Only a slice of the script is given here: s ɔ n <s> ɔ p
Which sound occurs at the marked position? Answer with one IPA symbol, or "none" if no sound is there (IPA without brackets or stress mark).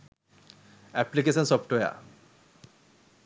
s